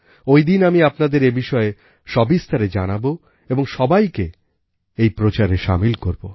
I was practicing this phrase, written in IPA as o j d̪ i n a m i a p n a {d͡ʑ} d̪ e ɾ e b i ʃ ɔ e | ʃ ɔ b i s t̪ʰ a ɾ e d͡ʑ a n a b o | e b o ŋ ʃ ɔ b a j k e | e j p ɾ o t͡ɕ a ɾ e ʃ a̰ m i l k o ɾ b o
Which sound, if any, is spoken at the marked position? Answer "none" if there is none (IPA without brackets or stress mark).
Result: none